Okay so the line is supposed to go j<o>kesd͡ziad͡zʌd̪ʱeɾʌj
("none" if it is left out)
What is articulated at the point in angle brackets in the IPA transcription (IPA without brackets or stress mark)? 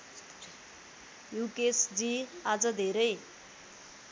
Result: u